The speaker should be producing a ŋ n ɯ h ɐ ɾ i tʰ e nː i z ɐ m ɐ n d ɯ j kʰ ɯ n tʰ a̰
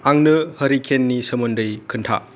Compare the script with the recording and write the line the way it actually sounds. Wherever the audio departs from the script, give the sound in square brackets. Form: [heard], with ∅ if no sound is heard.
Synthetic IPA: a ŋ n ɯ h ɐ ɾ i [kʰ] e nː i [s] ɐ m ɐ n d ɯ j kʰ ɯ n tʰ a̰

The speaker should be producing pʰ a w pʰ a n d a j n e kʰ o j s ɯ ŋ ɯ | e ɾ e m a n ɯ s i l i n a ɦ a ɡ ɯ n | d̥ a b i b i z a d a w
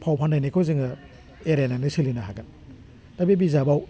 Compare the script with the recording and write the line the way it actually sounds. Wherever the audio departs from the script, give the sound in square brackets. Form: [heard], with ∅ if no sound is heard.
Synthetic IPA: pʰ a w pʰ a n d a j n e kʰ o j [z] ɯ ŋ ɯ | e ɾ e [n] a n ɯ s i l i n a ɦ a ɡ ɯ n | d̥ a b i b i z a [b] a w

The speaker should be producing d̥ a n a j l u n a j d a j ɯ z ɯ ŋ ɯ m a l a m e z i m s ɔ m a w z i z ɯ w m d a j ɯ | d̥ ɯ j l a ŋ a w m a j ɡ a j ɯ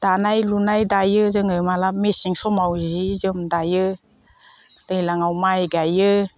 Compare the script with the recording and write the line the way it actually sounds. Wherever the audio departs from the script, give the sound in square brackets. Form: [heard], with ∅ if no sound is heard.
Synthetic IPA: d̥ a n a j l u n a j d a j ɯ z ɯ ŋ ɯ m a l a m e [s] i [ŋ] s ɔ m a w z i z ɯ [∅] m d a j ɯ | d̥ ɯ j l a ŋ a w m a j ɡ a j ɯ

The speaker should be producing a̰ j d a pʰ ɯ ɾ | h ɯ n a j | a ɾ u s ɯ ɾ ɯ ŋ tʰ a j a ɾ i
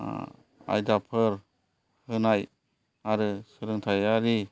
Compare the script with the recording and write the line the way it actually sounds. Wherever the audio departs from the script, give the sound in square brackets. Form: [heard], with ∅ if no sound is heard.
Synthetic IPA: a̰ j d a pʰ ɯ ɾ | h ɯ n a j | a ɾ [ɯ] s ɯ ɾ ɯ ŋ tʰ a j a ɾ i

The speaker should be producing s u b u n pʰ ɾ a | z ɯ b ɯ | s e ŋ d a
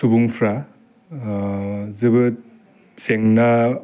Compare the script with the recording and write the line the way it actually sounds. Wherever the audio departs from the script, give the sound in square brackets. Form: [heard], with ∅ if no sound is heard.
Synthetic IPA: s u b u [ŋ] pʰ ɾ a | z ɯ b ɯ | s e ŋ [n] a

